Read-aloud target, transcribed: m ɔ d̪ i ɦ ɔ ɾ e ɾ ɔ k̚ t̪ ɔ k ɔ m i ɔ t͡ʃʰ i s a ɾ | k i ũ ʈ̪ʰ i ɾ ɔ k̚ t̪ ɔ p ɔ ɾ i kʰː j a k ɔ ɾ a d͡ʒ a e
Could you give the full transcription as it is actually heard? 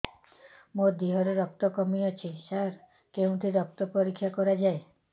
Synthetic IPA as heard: m o d̪ i ɦ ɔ ɾ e ɾ ɔ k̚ t̪ ɔ k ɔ m i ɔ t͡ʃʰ i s a ɾ | k e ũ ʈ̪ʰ i ɾ ɔ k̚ t̪ ɔ p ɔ ɾ i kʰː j a k ɔ ɾ a d͡ʒ a e